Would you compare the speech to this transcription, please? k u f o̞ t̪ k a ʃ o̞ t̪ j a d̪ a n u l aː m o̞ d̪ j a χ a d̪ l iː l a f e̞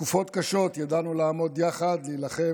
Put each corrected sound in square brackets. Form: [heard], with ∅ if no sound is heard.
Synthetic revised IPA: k u f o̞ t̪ k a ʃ o̞ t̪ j a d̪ a n u l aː m o̞ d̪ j a χ a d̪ l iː l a [χ] e̞